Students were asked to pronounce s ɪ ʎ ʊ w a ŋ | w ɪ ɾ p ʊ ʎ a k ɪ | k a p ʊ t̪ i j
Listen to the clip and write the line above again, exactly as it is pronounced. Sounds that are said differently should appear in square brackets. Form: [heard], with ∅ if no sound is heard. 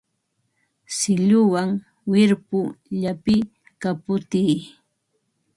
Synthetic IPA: s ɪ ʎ ʊ w a ŋ | w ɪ ɾ p ʊ ʎ a [p] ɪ | k a p ʊ t̪ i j